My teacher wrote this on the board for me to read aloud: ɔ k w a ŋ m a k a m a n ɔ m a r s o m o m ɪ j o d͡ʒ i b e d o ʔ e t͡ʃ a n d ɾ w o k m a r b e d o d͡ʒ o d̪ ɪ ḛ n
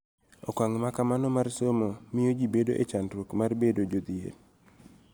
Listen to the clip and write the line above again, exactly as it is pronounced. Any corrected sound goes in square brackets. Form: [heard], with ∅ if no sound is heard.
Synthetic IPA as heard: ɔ k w a ŋ m a k a m a n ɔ m a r s o m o m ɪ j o d͡ʒ i b e d o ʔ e t͡ʃ a n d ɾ w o k m a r b e d o d͡ʒ o d̪ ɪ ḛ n